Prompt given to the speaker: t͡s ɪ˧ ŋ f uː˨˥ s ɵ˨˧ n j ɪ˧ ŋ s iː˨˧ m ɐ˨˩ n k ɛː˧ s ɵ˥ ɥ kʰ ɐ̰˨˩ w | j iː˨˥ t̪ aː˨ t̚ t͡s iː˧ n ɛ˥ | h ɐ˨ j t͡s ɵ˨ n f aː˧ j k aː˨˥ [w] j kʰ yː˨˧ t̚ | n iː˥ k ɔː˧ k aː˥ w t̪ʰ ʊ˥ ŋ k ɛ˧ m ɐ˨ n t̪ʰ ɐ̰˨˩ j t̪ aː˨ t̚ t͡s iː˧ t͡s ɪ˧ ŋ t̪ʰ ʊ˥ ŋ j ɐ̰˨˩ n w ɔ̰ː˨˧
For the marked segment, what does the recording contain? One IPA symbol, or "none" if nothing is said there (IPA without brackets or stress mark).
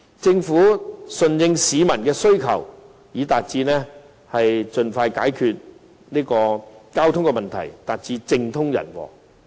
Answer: none